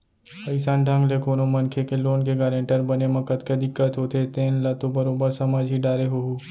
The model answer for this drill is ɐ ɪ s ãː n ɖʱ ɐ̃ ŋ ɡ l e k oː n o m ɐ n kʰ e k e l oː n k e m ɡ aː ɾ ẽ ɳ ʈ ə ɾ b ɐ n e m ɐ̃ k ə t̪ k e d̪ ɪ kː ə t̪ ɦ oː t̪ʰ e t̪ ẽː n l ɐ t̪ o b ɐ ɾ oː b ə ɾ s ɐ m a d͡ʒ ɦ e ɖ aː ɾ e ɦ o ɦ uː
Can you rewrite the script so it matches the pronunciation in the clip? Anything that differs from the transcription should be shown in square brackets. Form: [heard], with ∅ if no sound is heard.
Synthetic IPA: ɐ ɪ s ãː n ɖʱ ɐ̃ ŋ ɡ l e k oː n o m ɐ n kʰ e k e l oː n k e [∅] ɡ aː ɾ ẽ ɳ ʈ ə ɾ b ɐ n e m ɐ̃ k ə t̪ k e d̪ ɪ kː ə t̪ ɦ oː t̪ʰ e t̪ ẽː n l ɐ t̪ o b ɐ ɾ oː b ə ɾ s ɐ m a d͡ʒ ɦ [i] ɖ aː ɾ e ɦ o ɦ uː

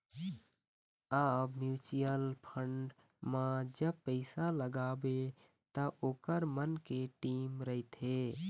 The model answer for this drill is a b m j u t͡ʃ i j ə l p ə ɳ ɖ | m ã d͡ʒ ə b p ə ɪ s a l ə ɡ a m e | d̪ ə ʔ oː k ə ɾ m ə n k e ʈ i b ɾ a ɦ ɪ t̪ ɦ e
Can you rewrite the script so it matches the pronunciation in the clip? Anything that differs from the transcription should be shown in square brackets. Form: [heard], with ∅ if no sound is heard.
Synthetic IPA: a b m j u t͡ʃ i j ə l [pʰ] ə ɳ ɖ | m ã d͡ʒ ə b p ə ɪ s a l ə ɡ a [b] e | [t̪] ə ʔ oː k ə ɾ m ə n k e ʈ i [m] ɾ [ə] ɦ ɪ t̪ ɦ e

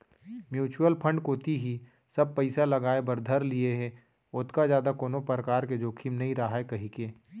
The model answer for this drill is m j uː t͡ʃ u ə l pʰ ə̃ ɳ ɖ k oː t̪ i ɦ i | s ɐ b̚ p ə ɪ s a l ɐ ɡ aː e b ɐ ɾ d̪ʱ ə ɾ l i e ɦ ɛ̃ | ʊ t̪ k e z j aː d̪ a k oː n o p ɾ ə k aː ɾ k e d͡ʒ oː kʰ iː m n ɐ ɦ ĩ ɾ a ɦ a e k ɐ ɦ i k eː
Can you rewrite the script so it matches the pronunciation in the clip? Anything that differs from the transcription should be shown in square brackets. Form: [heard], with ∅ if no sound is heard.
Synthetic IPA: m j uː t͡ʃ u ə l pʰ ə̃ ɳ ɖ k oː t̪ i ɦ i | s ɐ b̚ p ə ɪ s a l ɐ ɡ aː e b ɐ ɾ d̪ʱ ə ɾ l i e ɦ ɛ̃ | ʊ t̪ k [a] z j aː d̪ a k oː n o p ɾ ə k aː ɾ k e d͡ʒ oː kʰ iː m n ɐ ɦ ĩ ɾ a ɦ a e k ɐ ɦ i k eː

